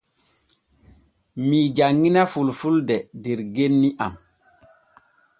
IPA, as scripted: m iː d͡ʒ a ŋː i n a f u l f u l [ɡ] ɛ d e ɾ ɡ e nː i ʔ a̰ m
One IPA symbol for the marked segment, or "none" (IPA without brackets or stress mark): d